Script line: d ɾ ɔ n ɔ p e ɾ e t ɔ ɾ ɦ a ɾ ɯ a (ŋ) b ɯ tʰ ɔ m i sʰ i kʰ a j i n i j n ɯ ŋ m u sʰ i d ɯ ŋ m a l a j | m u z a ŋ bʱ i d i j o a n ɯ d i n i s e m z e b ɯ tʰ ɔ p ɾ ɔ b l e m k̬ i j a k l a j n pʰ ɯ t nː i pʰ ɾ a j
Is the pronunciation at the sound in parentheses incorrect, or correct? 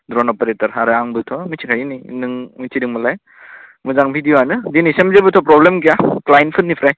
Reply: correct